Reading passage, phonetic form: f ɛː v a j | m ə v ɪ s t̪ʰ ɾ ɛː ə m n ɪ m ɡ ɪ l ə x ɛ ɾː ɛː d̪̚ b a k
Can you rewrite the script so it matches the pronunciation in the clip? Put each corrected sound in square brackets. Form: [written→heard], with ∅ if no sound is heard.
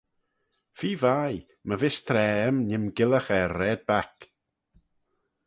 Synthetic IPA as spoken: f [ɛː→iː] v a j | m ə v ɪ s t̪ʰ ɾ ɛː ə m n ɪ m ɡ ɪ l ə x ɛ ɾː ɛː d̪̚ b a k